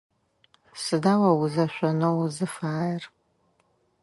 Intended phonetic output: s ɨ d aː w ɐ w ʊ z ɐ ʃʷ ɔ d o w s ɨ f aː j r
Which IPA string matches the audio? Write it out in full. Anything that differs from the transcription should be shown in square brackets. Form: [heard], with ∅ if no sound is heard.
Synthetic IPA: s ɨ d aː w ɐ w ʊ z ɐ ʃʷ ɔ [n] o w [z] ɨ f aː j r